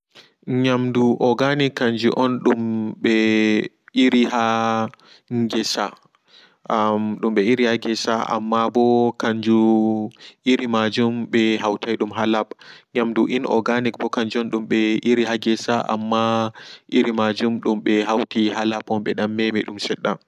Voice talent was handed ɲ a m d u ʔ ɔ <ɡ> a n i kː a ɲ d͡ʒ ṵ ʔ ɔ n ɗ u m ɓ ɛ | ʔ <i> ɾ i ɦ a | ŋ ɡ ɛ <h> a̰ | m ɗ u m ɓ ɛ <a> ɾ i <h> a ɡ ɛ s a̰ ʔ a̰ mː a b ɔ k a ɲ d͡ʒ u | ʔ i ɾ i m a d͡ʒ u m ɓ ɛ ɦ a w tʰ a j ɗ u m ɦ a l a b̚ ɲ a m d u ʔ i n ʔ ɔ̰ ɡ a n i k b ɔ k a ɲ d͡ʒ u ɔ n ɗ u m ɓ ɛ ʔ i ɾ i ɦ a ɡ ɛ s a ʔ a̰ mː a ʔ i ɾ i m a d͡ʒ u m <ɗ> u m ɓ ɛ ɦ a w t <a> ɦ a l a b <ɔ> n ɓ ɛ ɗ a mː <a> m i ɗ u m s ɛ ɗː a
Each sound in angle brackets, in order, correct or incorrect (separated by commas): correct, correct, incorrect, incorrect, correct, correct, incorrect, correct, incorrect